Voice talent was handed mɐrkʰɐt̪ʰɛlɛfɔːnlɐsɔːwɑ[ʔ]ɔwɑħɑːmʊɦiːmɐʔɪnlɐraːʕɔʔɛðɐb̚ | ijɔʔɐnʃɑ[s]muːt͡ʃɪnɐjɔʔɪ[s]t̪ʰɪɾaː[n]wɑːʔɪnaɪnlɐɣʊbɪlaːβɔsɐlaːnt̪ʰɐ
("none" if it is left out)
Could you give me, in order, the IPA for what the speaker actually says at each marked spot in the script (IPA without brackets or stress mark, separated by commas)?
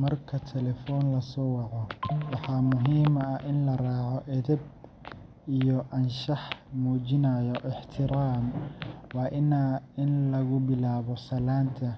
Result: q, ħ, ħ, m